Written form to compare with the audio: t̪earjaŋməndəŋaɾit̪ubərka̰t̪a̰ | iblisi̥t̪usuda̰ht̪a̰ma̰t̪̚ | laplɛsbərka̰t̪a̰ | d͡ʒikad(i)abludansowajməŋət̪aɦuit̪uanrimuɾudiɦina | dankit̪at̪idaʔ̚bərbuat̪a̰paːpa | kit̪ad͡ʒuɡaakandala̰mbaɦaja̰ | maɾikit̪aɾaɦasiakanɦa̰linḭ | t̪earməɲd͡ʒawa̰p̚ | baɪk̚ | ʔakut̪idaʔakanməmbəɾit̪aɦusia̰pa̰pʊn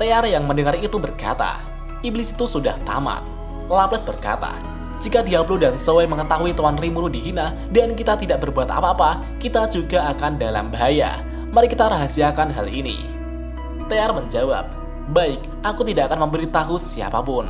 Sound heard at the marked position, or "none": i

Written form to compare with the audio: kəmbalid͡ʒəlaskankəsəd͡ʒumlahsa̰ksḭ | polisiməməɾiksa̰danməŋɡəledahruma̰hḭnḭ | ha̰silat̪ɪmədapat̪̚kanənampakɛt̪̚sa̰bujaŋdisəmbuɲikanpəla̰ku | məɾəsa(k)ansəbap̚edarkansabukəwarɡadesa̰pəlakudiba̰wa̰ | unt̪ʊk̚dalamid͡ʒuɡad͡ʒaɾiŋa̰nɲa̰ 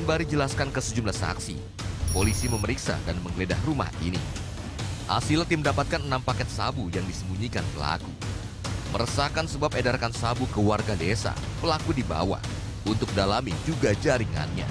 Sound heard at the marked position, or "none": k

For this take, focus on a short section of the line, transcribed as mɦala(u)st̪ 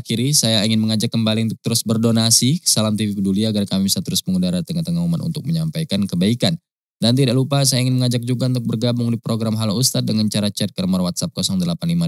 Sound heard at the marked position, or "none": u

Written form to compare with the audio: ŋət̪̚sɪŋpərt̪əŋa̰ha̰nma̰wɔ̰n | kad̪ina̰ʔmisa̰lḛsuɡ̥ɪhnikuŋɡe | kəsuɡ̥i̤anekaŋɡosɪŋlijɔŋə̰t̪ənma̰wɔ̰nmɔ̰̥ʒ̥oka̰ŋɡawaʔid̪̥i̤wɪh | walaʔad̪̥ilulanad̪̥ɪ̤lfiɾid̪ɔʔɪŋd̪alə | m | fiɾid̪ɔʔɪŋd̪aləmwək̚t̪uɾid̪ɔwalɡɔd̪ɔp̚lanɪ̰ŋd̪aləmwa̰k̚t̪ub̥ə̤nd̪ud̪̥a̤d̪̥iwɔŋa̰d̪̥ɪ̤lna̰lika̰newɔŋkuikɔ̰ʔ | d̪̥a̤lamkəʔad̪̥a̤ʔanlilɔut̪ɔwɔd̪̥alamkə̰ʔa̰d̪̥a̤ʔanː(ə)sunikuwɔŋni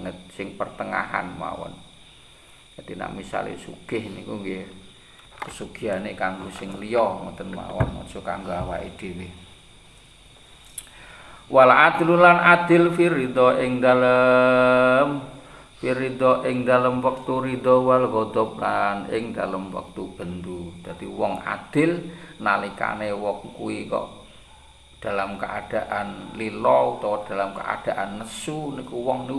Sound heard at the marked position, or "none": ə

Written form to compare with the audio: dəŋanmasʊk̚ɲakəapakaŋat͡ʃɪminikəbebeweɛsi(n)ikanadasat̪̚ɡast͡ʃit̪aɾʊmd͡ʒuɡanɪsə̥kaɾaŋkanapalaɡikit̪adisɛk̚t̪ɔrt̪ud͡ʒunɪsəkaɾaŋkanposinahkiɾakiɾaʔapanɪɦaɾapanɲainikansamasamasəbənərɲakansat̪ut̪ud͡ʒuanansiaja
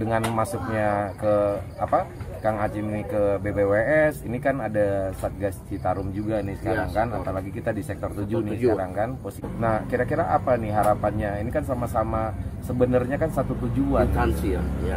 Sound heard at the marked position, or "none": n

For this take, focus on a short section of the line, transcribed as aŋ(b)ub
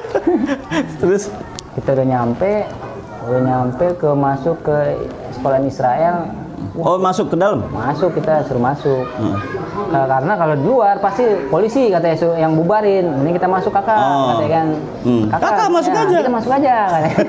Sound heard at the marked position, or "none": b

